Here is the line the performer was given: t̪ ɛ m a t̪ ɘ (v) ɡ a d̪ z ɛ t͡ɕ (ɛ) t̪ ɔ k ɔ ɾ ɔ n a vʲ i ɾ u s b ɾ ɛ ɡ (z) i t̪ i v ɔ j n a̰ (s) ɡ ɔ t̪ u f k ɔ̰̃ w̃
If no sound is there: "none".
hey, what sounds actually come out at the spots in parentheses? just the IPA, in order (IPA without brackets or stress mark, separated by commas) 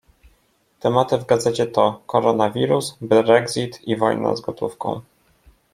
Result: v, ɛ, z, z